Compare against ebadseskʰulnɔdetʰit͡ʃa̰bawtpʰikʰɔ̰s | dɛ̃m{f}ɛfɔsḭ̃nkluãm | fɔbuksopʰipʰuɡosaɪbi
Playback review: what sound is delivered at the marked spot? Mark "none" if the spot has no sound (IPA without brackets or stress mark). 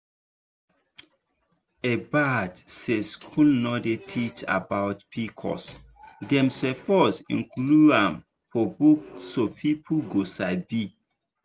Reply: s